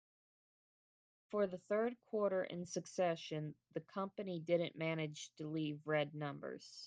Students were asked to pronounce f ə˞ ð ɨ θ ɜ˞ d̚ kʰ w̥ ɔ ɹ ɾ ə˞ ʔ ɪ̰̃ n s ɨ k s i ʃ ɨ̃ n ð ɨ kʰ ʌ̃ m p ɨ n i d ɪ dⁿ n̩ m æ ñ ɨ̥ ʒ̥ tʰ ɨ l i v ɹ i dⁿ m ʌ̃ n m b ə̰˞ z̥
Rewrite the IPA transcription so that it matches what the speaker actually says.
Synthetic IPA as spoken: f ə˞ ð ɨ θ ɜ˞ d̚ kʰ w̥ ɔ ɹ ɾ ə˞ ʔ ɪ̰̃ n s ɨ k s ɛ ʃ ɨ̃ n ð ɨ kʰ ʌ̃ m p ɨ n i d ɪ dⁿ n̩ m æ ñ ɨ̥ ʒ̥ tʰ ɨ l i v ɹ ɛ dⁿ n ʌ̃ m b ə̰˞ z̥